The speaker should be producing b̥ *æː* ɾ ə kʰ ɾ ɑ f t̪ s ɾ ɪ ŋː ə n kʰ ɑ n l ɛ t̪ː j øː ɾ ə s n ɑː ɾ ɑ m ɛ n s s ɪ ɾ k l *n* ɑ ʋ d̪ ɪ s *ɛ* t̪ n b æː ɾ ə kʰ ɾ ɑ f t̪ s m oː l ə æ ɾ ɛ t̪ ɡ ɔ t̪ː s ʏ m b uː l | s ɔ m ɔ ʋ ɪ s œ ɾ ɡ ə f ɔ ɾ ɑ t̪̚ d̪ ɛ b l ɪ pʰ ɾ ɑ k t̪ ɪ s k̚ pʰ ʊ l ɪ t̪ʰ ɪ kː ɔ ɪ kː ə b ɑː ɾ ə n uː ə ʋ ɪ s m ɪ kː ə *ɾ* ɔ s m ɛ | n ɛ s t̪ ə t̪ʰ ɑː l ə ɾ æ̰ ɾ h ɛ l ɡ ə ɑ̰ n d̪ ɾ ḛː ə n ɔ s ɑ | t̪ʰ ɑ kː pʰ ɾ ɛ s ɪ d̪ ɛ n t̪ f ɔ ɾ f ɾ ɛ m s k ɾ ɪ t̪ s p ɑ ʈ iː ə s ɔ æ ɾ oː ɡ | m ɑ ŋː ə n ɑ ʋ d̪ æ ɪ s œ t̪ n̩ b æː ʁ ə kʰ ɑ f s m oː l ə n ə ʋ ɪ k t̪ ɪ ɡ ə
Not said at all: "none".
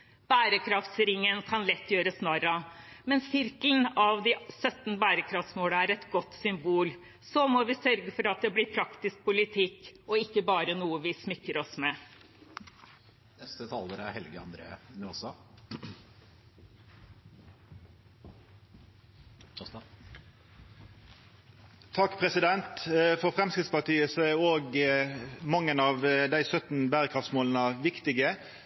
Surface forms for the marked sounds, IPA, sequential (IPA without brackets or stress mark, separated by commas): æː, n, œ, ɾ